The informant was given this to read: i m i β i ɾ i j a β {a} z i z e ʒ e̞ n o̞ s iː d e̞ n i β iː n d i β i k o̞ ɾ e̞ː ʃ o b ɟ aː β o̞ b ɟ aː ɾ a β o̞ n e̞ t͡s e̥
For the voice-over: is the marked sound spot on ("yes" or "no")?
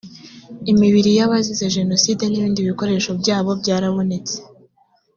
yes